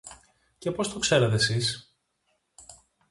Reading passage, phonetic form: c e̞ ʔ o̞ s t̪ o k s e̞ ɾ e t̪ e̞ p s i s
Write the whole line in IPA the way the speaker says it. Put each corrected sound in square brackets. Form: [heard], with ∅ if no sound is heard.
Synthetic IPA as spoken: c e̞ [p] o̞ s t̪ o k s e̞ ɾ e t̪ e̞ [∅] s i s